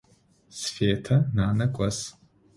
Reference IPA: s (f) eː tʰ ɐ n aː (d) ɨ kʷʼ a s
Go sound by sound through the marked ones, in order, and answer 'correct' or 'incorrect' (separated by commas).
correct, incorrect